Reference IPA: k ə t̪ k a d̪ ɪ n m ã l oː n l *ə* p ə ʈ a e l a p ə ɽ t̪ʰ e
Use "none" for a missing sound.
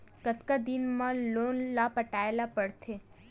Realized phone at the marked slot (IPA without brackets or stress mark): a